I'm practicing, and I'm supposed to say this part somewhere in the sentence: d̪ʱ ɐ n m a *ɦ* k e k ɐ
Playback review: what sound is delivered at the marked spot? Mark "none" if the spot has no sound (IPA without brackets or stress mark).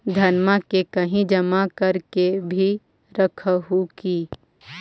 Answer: none